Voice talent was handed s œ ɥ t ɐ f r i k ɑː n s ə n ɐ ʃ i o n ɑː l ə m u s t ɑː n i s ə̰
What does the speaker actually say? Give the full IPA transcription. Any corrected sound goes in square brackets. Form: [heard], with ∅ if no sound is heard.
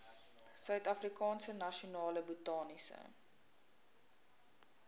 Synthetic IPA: s œ ɥ t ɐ f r i k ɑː n s ə n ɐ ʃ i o n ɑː l ə [b] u [∅] t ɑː n i s ə̰